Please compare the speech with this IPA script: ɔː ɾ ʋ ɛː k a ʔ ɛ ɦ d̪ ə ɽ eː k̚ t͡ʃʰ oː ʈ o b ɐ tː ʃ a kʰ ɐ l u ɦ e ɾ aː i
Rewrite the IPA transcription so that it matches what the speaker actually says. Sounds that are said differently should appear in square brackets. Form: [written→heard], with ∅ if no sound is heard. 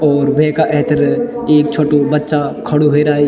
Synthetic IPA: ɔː ɾ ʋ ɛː k a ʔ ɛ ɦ [d̪→t̪] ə [ɽ→ɾ] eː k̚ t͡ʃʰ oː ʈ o b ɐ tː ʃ a kʰ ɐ [l→ɽ] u ɦ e ɾ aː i